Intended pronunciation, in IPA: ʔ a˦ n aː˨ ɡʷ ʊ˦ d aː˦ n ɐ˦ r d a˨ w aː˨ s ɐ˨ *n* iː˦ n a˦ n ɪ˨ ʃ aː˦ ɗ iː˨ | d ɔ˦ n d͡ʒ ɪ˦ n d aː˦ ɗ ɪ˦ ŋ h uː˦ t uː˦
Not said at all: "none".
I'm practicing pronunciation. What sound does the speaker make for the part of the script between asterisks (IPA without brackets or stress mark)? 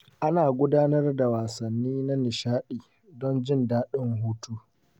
nː